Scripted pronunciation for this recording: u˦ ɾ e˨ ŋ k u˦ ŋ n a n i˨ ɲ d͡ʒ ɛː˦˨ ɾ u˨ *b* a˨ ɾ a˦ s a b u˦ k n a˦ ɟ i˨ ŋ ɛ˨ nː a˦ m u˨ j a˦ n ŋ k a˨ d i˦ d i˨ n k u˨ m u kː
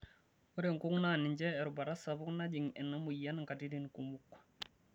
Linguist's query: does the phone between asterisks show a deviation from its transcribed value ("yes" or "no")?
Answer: no